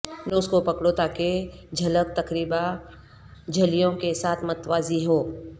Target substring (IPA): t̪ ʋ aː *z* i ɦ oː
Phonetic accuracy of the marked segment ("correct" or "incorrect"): correct